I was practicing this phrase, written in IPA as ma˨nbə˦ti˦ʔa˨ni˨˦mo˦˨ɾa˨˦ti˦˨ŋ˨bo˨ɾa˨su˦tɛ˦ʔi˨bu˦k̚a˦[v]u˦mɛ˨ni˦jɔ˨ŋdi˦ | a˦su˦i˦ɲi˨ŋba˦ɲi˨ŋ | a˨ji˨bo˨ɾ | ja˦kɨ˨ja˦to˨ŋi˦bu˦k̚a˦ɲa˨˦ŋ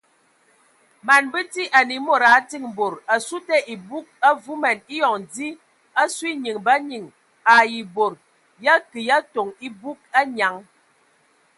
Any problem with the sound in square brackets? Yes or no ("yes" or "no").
no